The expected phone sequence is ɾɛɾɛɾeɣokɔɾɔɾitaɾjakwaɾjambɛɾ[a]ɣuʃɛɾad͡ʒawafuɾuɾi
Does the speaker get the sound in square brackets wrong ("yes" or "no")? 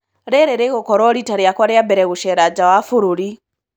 yes